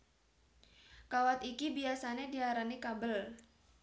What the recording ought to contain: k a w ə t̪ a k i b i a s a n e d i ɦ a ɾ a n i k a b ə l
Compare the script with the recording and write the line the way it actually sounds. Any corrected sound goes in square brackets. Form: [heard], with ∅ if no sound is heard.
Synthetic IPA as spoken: k a w [a] t̪ [i] k i b i a s a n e d i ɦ a ɾ a n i k a b ə l